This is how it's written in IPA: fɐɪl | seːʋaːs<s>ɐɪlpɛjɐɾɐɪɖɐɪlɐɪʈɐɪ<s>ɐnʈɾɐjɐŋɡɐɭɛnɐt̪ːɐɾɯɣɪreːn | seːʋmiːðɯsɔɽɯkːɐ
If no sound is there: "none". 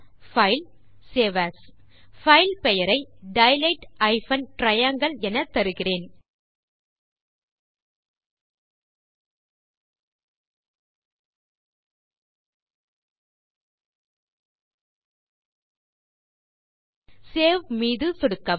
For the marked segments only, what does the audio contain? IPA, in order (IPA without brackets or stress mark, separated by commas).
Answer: f, f